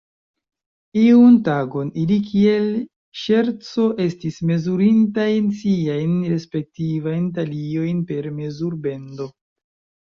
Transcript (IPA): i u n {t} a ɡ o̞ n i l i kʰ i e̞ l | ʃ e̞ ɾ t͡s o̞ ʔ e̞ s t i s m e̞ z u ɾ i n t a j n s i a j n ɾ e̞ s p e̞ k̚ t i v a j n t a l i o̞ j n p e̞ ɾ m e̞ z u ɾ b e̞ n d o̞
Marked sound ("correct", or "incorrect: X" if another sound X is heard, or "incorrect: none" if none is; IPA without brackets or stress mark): correct